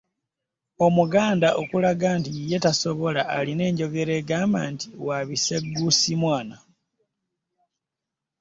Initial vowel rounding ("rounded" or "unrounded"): rounded